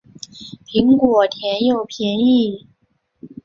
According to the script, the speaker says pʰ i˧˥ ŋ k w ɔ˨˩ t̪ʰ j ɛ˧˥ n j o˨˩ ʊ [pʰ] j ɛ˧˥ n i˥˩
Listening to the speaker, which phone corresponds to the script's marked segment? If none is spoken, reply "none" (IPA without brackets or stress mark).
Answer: pʰ